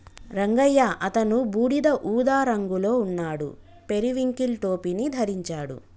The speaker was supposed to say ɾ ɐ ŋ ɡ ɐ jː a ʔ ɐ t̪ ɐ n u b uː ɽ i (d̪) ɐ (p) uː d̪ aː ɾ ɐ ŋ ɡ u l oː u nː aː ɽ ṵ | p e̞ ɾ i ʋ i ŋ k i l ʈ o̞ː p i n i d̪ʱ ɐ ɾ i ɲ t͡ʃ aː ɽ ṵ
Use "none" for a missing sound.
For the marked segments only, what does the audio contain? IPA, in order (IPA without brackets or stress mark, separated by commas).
d̪, ʔ